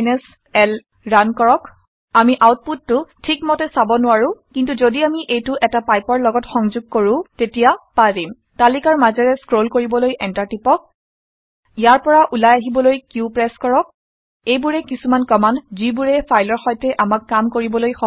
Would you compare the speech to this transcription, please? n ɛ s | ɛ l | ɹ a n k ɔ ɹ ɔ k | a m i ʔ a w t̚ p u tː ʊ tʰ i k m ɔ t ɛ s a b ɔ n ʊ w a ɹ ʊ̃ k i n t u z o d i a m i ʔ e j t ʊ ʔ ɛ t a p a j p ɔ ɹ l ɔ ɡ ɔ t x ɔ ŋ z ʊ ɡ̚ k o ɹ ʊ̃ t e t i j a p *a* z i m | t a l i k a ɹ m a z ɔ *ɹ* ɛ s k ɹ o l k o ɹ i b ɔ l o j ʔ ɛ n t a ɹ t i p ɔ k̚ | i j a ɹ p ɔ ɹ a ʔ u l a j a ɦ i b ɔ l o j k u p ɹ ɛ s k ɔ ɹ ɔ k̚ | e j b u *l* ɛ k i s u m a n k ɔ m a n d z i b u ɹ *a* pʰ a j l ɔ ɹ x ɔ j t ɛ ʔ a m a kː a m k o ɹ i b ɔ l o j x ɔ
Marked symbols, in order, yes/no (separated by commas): yes, yes, no, no